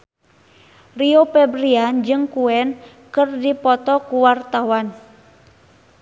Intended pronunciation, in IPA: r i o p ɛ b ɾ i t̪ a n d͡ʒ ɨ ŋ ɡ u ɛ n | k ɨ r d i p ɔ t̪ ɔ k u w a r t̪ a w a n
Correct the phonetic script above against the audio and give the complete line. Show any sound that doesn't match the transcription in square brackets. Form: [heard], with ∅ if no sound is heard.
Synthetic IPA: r i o p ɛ b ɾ i [∅] a n d͡ʒ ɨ ŋ [k] u ɛ n | k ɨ r d i p ɔ t̪ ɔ k u w a r t̪ a w a n